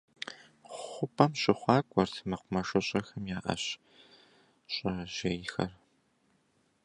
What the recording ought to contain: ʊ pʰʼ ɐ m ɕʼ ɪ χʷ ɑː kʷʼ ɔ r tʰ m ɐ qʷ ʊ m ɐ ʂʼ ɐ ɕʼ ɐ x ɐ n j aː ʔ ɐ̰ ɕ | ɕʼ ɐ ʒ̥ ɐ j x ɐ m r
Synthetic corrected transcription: ʊ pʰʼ ɐ m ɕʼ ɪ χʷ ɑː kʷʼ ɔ r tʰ m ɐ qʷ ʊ m ɐ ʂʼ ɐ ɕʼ ɐ x ɐ m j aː ʔ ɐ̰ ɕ | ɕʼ ɐ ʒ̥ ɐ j x ɐ r